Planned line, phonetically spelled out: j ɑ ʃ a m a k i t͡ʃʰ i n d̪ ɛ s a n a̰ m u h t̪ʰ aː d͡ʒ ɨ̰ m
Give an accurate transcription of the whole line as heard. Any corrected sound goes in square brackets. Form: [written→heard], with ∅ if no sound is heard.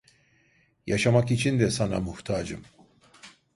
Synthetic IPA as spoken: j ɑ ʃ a m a k i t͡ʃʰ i n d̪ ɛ s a n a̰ m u h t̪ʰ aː d͡ʒ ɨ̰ m